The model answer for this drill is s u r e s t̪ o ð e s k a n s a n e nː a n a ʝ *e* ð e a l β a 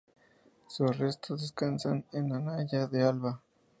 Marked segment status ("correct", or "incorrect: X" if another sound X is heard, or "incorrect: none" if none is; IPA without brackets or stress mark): incorrect: a